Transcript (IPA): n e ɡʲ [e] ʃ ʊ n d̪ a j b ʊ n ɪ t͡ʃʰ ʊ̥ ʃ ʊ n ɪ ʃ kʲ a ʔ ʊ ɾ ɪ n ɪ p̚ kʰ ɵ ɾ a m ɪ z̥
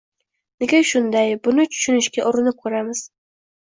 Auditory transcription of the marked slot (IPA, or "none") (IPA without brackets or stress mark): a